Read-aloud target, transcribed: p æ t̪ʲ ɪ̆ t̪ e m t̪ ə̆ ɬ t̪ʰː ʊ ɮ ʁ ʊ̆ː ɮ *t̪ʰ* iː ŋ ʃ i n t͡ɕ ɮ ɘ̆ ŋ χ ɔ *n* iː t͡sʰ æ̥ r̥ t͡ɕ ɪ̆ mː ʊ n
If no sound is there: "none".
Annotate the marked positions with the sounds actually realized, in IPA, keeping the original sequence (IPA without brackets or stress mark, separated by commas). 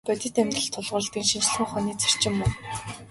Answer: t̪, n